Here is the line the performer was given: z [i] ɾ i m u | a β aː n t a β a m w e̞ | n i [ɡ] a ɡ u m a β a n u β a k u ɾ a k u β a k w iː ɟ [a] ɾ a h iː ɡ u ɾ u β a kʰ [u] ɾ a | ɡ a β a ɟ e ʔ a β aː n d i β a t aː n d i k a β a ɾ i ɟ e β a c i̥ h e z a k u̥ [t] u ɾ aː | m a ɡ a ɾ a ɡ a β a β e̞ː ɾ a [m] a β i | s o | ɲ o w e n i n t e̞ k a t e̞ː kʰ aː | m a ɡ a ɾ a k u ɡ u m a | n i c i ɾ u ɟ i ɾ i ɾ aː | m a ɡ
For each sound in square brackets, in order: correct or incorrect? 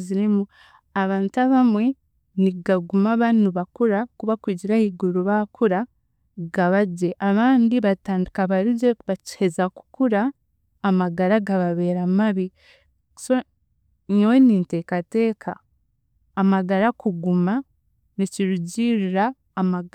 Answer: correct, correct, incorrect, correct, incorrect, correct

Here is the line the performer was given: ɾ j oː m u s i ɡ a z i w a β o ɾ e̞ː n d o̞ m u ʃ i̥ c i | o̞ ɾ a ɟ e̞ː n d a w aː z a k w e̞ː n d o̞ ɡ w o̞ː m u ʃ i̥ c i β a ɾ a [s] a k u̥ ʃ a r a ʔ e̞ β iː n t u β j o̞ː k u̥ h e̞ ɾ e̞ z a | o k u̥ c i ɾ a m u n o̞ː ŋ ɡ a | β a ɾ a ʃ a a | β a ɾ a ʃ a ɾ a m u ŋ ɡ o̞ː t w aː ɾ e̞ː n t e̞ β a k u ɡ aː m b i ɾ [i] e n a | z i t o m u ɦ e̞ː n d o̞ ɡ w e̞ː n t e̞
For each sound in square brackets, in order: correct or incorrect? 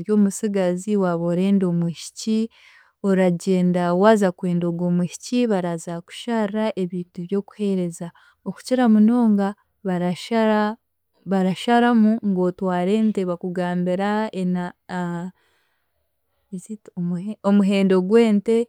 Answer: incorrect, incorrect

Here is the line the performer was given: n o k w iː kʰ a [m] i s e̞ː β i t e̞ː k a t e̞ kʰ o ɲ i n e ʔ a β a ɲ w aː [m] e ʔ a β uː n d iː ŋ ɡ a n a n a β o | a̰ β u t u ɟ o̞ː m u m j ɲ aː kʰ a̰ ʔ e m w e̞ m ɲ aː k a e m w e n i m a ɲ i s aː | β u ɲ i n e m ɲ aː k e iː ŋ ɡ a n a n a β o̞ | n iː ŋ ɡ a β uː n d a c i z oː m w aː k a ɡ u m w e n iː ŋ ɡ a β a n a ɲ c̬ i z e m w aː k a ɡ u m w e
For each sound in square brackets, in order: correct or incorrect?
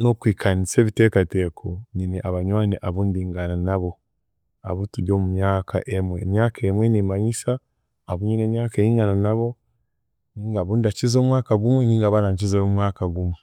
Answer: incorrect, incorrect

